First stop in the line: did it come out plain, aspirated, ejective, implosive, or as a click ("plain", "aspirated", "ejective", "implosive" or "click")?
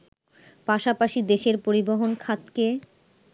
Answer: plain